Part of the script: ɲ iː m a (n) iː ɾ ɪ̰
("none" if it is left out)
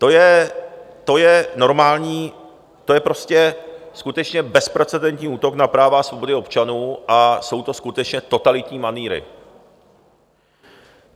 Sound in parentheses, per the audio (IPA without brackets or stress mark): n